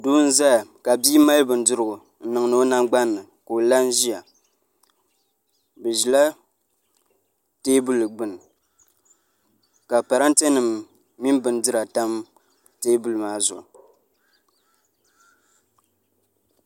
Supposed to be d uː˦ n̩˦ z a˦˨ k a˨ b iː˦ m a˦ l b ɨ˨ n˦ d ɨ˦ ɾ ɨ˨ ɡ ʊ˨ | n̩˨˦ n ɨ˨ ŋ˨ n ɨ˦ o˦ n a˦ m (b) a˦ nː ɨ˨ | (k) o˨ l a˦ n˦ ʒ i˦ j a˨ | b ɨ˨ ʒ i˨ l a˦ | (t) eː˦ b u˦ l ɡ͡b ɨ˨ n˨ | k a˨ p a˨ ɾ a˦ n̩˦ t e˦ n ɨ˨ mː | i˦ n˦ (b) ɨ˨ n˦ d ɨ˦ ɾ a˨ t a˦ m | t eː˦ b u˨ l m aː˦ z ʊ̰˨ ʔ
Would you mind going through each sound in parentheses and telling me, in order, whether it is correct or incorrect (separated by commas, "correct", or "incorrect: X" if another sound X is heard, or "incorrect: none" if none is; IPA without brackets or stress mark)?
incorrect: ɡ͡b, correct, correct, correct